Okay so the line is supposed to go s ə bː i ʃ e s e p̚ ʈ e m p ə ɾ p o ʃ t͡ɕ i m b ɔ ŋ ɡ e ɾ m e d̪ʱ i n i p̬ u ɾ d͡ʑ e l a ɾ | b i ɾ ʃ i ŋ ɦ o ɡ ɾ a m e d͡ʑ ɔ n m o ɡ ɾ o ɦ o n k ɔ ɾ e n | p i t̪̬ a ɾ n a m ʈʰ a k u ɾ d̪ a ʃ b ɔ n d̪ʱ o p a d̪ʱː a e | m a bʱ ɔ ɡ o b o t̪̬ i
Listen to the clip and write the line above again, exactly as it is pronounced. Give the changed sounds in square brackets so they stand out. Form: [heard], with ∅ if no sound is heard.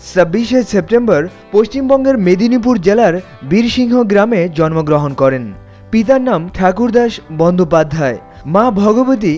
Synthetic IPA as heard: s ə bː i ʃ e s e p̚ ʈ e m [b] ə ɾ p o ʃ t͡ɕ i m b ɔ ŋ ɡ e ɾ m e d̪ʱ i n i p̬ u ɾ d͡ʑ e l a ɾ | b i ɾ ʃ i ŋ ɦ o ɡ ɾ a m e d͡ʑ ɔ n m o ɡ ɾ o ɦ o n k ɔ ɾ e n | p i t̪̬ a ɾ n a m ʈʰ a k u ɾ d̪ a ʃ b ɔ n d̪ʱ o p a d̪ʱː a e | m a bʱ ɔ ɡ o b o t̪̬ i

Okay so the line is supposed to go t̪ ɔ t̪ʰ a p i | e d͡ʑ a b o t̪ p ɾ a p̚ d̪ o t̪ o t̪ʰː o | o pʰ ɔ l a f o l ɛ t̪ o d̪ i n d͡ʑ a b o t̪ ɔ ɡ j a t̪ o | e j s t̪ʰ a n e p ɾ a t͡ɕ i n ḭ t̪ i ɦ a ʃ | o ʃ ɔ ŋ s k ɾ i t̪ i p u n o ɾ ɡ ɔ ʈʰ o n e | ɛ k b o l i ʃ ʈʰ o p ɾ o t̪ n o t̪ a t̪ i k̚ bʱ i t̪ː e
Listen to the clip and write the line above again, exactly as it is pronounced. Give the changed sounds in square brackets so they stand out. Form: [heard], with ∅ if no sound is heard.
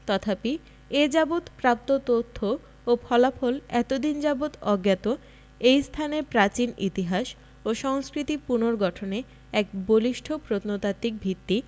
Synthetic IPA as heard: t̪ ɔ t̪ʰ a p i | e d͡ʑ a b o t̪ p ɾ a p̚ [t̪] o t̪ o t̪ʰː o | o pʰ ɔ l a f o l ɛ t̪ o d̪ i n d͡ʑ a b o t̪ ɔ ɡ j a t̪ o | e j s t̪ʰ a n e p ɾ a t͡ɕ i n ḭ t̪ i ɦ a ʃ | o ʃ ɔ ŋ s k ɾ i t̪ i p u n o ɾ ɡ ɔ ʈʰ o n e | ɛ k b o l i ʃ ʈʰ o p ɾ o t̪ n o t̪ a t̪ i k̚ bʱ i t̪ː [i]

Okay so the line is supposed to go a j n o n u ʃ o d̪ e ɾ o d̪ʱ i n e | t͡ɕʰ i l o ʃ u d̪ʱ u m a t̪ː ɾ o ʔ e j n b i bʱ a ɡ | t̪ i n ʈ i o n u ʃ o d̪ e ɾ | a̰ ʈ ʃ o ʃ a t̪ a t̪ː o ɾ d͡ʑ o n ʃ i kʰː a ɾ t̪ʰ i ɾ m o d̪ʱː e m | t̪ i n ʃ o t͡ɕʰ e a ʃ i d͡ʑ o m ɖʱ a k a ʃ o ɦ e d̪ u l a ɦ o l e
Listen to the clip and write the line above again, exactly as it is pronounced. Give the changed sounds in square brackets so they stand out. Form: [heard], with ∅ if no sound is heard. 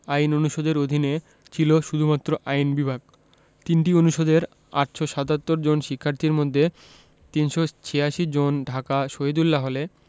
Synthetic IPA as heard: a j n o n u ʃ o d̪ e ɾ o d̪ʱ i n e | t͡ɕʰ i l o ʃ u d̪ʱ u m a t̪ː ɾ o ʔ [a] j n b i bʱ a ɡ | t̪ i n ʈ i o n u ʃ o d̪ e ɾ | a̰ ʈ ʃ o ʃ a t̪ a t̪ː o ɾ d͡ʑ o n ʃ i kʰː a ɾ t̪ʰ i ɾ m o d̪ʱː e [∅] | t̪ i n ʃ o t͡ɕʰ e a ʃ i d͡ʑ o [n] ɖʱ a k a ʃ o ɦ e d̪ u [lː] a ɦ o l e

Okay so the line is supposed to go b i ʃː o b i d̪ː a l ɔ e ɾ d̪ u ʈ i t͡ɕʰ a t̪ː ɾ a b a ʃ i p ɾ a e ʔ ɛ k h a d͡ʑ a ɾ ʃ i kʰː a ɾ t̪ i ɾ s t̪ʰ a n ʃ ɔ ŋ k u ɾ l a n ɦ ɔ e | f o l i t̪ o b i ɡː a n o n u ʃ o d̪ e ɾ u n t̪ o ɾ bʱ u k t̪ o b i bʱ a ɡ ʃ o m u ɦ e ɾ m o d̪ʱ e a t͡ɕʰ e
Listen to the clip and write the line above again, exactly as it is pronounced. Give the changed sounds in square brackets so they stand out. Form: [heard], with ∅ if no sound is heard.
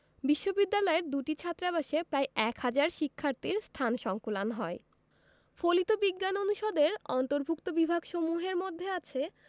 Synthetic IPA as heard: b i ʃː o b i d̪ː a l ɔ e ɾ d̪ u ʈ i t͡ɕʰ a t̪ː ɾ a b a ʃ [e] p ɾ a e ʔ ɛ k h a d͡ʑ a ɾ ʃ i kʰː a ɾ t̪ i ɾ s t̪ʰ a n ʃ ɔ ŋ k u [∅] l a n ɦ ɔ e | f o l i t̪ o b i ɡː a n o n u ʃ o d̪ e ɾ [ɔ] n t̪ o ɾ bʱ u k t̪ o b i bʱ a ɡ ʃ o m u ɦ e ɾ m o [d̪ʱː] e a t͡ɕʰ e

